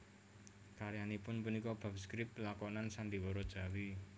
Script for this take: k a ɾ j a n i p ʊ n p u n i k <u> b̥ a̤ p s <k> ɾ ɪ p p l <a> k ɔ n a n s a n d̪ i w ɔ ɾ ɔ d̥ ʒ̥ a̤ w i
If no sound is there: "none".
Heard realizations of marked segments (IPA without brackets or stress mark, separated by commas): ɔ, k, a